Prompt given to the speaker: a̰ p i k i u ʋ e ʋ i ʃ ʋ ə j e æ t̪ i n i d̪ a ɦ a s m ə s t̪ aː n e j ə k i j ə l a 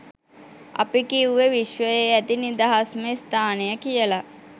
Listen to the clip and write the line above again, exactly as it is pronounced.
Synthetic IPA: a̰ p i k i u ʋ e ʋ i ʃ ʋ ə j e æ t̪ i n i d̪ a ɦ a s m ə s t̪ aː n e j ə k i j ə l a